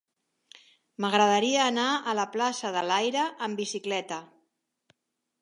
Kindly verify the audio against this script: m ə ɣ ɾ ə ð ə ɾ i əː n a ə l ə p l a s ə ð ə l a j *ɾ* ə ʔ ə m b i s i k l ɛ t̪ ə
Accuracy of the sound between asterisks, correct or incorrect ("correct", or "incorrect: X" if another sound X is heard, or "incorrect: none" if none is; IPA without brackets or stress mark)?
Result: correct